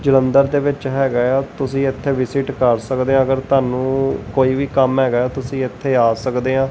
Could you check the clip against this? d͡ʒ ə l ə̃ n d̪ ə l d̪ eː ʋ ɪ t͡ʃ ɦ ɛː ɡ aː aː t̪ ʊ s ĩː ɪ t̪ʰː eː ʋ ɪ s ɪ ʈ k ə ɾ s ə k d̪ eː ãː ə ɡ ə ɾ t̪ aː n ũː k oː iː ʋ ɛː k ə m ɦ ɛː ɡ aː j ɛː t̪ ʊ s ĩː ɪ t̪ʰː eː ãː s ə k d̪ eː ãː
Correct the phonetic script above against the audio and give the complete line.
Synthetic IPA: d͡ʒ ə l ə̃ n d̪ ə ɾ d̪ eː ʋ ɪ t͡ʃ ɦ ɛː ɡ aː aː t̪ ʊ s ĩː ɪ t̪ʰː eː ʋ ɪ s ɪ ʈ k ə ɾ s ə k d̪ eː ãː ə ɡ ə ɾ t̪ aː n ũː k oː iː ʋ iː k ə m ɦ ɛː ɡ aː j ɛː t̪ ʊ s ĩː ɪ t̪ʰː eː aː s ə k d̪ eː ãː